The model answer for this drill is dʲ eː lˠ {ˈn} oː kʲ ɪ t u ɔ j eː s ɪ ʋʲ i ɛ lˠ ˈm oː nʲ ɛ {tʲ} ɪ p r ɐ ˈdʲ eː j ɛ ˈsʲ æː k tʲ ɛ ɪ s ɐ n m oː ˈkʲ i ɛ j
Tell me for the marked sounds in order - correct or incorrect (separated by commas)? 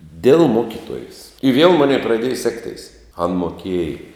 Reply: incorrect, incorrect